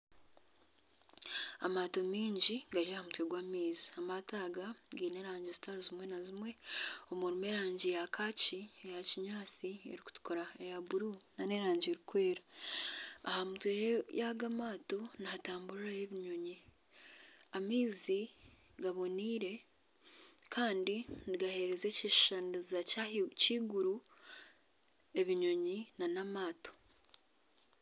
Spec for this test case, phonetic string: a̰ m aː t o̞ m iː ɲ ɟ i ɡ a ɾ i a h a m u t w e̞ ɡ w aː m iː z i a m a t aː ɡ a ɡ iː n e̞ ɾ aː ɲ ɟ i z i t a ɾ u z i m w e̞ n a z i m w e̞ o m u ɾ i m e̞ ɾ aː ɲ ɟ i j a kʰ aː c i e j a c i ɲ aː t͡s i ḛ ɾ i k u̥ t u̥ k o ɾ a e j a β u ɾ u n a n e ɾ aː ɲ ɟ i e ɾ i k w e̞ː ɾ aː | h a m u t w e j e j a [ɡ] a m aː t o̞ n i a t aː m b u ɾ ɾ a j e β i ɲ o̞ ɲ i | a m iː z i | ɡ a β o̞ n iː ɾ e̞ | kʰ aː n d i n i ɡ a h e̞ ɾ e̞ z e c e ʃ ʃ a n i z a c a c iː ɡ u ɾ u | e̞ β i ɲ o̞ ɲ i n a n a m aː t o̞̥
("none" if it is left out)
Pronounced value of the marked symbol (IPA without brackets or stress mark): ɡ